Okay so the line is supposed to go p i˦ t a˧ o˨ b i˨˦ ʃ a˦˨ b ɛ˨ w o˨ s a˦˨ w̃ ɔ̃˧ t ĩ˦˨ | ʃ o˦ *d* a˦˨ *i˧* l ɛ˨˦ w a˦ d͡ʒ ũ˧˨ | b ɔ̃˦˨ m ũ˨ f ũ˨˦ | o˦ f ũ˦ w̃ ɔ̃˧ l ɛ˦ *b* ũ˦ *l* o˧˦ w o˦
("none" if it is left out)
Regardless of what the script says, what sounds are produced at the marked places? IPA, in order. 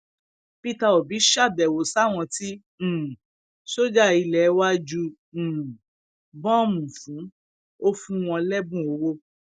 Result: d͡ʒ, i˧, b, none

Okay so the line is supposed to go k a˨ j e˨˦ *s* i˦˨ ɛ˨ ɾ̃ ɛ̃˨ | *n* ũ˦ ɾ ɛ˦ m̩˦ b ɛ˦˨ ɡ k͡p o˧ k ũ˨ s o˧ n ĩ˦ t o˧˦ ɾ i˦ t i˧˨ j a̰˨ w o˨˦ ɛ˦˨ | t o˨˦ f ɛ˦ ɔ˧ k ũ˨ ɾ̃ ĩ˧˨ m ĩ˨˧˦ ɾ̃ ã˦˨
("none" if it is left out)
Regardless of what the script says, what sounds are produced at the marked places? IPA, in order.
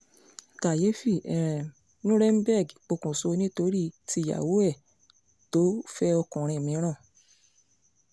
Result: f, n

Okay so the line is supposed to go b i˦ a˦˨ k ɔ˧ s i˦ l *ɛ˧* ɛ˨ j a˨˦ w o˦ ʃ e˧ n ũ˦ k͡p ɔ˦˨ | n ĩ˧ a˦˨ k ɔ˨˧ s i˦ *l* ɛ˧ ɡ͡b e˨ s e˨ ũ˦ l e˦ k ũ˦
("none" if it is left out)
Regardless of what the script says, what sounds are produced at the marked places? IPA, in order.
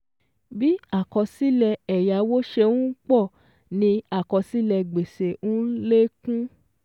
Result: ɛ˧, l

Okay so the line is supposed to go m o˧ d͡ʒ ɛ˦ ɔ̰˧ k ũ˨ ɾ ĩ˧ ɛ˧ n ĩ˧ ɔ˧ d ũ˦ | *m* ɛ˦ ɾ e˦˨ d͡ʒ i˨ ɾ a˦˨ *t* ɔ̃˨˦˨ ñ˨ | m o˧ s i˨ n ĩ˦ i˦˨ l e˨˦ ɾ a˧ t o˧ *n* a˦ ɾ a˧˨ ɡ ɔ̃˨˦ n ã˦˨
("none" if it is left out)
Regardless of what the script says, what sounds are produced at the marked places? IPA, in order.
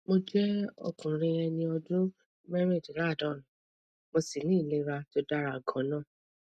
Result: m, d, d

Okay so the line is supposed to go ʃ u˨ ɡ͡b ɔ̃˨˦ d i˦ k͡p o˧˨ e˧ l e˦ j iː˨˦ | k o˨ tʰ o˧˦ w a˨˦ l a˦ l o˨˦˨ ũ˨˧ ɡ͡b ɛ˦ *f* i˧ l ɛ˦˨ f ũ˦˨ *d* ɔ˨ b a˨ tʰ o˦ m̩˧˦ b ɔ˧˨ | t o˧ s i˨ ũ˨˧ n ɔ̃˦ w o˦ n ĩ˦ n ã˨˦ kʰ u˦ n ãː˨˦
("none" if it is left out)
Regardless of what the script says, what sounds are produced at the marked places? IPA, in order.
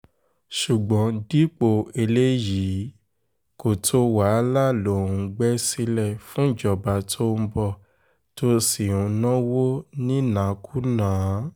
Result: s, d͡ʒ

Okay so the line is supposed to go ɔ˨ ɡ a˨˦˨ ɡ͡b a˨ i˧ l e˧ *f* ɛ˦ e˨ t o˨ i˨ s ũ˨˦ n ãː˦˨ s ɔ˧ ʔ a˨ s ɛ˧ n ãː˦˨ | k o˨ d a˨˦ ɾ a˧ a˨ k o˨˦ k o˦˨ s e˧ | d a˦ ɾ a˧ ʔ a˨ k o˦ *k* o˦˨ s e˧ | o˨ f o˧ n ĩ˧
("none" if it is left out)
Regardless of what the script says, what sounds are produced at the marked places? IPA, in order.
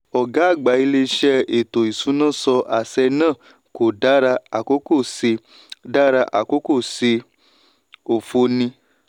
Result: ʃ, k

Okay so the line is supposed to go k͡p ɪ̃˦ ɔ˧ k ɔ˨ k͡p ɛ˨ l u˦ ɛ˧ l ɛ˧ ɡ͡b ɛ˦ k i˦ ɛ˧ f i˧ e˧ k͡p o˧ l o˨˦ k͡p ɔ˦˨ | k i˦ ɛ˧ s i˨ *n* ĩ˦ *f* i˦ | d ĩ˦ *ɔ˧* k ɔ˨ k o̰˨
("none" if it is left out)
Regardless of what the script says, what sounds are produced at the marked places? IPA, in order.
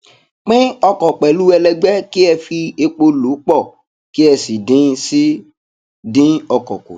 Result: d, s, ɔ˧

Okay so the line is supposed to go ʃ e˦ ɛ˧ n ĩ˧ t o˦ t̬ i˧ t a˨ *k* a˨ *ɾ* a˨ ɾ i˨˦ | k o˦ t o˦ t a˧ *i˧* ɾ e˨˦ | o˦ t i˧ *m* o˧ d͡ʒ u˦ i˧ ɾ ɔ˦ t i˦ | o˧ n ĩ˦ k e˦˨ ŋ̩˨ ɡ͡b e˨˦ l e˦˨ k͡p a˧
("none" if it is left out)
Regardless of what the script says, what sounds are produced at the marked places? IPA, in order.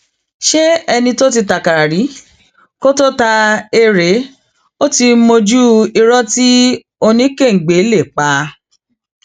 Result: k, ɾ, e˧, m

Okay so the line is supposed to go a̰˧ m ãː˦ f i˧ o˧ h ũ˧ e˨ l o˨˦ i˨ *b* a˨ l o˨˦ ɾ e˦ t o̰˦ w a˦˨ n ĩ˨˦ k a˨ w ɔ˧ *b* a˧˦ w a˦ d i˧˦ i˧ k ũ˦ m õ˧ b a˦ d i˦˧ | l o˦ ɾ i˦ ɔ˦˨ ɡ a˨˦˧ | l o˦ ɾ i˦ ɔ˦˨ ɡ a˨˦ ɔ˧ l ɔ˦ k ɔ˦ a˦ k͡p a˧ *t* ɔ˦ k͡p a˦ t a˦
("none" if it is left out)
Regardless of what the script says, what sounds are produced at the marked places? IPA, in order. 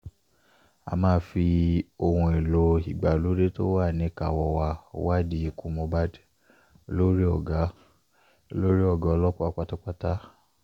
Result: ɡ͡b, w, t

